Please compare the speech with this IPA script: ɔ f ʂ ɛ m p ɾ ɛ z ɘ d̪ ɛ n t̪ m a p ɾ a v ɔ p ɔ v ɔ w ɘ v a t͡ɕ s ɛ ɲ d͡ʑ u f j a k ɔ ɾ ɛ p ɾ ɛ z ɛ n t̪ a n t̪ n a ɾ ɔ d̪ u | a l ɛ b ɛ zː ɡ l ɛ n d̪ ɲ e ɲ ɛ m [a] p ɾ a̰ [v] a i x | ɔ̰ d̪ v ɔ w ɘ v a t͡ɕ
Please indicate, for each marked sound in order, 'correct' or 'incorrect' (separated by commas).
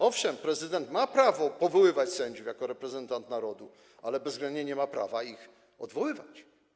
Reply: correct, correct